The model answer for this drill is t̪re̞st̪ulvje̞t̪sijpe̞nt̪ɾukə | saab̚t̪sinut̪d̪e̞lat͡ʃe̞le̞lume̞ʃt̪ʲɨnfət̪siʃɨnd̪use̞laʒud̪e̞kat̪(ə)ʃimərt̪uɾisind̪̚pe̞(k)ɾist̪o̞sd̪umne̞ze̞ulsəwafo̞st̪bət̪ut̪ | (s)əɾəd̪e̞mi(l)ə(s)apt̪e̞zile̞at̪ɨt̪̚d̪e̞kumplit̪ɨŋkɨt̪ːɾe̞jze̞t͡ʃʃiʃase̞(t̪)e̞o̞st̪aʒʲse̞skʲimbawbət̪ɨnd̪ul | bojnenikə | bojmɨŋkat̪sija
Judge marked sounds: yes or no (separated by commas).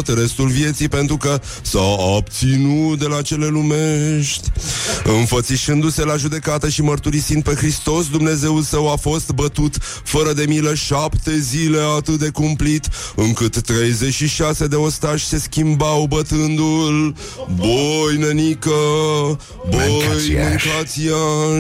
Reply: yes, no, no, yes, no, no